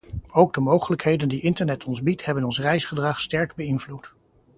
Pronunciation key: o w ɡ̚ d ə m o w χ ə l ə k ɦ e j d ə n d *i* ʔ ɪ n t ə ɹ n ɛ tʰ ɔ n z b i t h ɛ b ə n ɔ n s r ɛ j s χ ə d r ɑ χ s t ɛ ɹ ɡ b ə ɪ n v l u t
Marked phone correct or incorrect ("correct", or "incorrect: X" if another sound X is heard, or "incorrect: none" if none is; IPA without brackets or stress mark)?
correct